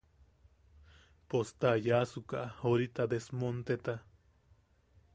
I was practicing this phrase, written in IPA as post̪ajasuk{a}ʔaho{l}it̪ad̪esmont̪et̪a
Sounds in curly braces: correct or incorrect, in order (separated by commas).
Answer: correct, incorrect